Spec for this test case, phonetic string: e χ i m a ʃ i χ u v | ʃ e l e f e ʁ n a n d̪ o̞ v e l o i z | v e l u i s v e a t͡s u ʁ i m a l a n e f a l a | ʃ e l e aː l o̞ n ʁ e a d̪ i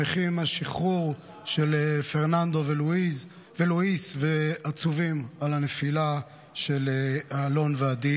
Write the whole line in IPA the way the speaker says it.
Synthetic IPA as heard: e χ i m a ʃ i χ u ʁ | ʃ e l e f e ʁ n a n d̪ o̞ v e l u i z | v e l u i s v e a t͡s u v i m a l a n e f i l a | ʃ e l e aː l o̞ n v e a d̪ i